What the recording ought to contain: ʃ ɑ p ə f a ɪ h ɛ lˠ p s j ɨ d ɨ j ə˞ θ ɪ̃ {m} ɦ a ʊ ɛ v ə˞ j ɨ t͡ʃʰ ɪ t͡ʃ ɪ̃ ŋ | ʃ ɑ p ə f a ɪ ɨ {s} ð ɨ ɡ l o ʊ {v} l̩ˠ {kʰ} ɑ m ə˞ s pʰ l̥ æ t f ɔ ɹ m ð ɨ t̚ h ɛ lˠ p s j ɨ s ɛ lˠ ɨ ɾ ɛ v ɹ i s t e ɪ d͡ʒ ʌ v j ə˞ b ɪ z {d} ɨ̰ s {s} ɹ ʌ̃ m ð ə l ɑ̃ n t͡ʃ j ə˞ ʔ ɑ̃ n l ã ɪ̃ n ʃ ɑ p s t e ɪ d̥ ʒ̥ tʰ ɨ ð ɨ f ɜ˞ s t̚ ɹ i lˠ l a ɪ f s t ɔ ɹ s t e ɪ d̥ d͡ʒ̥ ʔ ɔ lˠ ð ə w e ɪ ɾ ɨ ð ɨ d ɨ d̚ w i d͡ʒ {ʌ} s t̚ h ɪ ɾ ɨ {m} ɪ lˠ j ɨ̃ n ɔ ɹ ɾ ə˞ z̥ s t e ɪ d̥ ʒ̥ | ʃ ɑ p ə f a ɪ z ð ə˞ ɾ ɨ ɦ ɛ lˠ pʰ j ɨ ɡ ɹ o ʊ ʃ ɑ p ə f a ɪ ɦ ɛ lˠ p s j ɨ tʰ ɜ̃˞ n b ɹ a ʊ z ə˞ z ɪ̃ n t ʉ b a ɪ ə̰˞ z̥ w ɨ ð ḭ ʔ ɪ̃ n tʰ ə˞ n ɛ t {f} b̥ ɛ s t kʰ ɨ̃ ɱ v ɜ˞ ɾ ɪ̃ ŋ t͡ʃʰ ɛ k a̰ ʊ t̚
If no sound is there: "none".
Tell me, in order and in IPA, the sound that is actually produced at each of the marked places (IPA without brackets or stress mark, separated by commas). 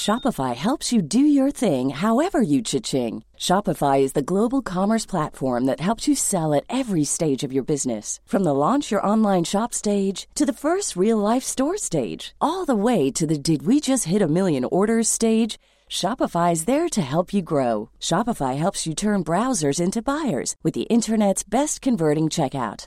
ŋ, z, b, kʰ, n, f, ʌ, m, s